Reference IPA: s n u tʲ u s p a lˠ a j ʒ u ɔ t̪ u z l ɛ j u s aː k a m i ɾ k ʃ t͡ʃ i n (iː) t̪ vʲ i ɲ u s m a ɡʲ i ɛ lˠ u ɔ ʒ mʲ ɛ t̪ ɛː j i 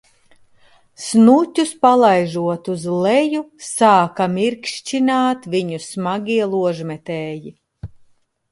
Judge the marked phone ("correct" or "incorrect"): incorrect